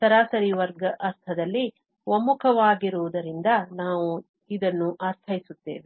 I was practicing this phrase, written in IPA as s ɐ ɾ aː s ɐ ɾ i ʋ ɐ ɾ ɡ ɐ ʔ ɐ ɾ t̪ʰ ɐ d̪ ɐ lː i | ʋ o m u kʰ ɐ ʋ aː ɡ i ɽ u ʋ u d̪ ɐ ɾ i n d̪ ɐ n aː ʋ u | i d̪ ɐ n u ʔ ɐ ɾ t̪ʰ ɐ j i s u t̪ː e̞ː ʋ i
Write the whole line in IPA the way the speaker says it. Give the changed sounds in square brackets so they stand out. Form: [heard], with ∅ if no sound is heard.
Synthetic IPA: s ɐ ɾ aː s ɐ ɾ i ʋ ɐ ɾ ɡ ɐ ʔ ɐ ɾ t̪ʰ ɐ d̪ ɐ lː i | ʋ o m u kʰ ɐ ʋ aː ɡ i [ɾ] u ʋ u d̪ ɐ ɾ i n d̪ ɐ n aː ʋ u | i d̪ ɐ [nː] u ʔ ɐ ɾ t̪ʰ ɐ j i s u t̪ː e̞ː ʋ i